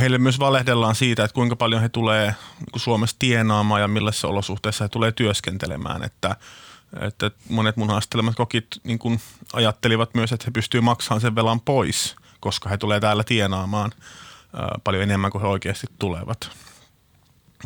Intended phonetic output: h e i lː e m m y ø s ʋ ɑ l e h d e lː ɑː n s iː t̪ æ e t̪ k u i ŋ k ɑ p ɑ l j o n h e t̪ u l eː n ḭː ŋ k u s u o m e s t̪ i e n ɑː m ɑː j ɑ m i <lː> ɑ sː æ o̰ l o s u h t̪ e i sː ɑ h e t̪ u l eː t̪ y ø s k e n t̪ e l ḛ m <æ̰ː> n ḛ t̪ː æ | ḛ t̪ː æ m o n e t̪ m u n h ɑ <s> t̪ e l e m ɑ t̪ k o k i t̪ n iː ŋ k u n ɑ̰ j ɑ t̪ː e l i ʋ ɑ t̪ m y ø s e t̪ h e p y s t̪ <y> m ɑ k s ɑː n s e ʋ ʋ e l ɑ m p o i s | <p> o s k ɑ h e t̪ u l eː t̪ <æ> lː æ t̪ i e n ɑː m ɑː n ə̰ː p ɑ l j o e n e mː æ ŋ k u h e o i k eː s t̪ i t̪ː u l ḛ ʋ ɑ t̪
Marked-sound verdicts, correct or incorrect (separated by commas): correct, correct, correct, incorrect, incorrect, incorrect